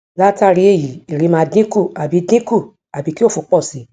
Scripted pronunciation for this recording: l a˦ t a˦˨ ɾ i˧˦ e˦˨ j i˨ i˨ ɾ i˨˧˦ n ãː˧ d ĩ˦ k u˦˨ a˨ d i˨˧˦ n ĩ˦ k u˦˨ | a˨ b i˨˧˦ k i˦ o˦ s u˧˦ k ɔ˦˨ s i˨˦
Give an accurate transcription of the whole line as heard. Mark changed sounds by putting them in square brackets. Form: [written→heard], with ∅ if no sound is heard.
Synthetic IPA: l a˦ t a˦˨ ɾ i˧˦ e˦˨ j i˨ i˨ ɾ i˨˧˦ [n→m] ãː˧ d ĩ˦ k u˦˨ a˨ [d→b] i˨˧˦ [n→d] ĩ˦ k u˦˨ | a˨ b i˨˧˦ k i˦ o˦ [s→f] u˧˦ [k→k͡p] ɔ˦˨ s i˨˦